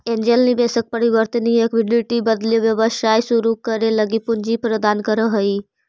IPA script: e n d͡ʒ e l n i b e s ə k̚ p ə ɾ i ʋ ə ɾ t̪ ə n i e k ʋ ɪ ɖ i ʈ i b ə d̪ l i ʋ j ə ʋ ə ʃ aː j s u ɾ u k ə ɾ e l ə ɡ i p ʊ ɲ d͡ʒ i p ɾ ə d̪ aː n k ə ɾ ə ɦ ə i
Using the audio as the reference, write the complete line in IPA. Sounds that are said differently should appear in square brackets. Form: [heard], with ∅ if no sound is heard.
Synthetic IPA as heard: e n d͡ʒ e l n i b e s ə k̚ p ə ɾ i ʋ ə ɾ t̪ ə n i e k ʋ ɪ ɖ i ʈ i b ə d̪ l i ʋ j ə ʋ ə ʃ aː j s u ɾ u k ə ɾ e l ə ɡ i p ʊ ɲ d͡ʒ i p ɾ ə d̪ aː n k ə ɾ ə ɦ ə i